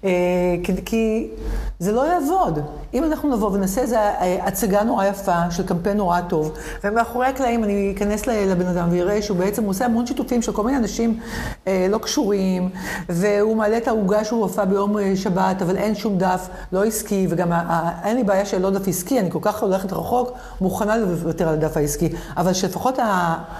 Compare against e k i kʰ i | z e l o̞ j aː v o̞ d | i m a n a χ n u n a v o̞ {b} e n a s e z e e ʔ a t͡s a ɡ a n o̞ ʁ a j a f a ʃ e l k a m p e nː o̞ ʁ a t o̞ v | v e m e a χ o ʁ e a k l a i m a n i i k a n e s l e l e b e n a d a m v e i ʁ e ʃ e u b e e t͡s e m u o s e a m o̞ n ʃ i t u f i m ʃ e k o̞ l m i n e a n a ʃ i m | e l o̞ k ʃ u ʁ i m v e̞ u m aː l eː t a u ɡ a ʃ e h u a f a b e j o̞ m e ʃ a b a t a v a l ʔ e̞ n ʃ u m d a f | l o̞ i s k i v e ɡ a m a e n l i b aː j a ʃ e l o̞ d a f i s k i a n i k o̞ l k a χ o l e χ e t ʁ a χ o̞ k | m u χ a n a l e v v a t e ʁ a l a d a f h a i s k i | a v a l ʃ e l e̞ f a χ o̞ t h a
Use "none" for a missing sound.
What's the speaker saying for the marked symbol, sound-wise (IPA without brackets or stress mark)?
v